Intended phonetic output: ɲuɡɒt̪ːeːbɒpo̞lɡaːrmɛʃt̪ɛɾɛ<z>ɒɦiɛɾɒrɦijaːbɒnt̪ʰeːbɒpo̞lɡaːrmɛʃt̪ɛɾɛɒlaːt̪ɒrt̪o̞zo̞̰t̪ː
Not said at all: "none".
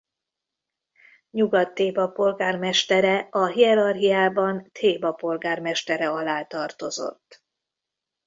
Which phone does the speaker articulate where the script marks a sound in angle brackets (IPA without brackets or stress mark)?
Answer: none